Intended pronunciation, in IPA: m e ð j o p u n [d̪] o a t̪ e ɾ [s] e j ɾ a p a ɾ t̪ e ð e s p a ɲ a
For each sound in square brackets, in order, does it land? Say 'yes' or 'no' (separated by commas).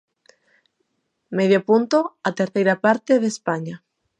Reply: no, no